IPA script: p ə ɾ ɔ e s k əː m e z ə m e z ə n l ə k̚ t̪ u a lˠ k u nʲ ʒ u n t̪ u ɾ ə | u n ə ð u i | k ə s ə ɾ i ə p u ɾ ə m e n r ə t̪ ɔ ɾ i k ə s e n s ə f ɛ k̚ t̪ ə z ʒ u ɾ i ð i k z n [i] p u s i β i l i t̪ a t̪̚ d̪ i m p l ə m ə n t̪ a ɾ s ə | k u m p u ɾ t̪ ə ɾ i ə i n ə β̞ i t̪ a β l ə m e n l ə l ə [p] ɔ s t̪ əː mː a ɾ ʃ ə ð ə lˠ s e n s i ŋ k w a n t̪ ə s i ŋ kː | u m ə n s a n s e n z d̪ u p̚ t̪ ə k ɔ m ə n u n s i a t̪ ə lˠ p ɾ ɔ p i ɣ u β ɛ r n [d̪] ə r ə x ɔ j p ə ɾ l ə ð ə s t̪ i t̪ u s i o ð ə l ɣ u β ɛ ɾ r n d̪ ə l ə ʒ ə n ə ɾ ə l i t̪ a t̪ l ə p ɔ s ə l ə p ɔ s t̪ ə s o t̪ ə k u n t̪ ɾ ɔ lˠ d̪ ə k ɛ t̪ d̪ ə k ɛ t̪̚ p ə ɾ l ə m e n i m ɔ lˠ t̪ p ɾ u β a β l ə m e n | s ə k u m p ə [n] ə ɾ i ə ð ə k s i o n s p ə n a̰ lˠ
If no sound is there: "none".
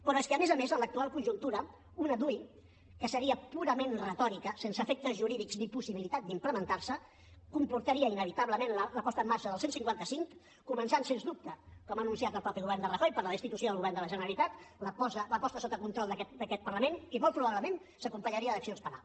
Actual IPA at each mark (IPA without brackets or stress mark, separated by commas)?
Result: i, p, d̪, ɲ